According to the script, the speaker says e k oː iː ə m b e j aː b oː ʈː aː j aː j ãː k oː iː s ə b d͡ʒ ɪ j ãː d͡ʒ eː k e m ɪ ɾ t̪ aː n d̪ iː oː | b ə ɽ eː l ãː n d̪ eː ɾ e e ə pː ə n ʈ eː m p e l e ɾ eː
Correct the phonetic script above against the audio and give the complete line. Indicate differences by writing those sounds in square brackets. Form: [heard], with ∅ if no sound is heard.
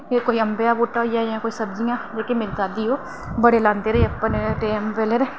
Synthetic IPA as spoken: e k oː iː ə m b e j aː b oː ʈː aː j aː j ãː k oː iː s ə b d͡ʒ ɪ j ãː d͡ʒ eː k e m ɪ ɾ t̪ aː [∅] d̪ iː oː | b ə ɽ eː l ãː n d̪ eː ɾ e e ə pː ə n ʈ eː m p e l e ɾ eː